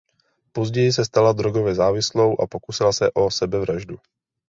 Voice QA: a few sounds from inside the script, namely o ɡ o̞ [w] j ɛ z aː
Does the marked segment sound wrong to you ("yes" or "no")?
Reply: yes